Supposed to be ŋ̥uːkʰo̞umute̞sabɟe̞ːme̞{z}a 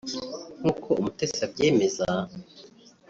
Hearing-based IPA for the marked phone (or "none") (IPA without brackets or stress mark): z